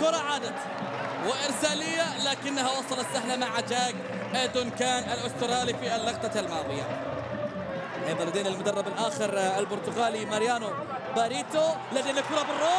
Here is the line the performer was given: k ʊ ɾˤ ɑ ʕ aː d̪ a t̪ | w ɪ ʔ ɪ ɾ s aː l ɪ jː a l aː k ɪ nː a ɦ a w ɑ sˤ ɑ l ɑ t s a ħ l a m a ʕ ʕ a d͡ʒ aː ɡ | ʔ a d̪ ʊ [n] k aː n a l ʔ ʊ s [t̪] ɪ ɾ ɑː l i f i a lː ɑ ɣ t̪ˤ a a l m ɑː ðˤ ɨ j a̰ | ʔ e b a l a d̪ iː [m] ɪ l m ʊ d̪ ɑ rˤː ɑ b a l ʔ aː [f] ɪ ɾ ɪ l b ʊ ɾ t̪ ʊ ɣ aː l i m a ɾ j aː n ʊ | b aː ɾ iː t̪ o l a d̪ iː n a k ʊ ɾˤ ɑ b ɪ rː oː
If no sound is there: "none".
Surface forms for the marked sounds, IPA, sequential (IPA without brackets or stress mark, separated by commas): n, t̪, n, x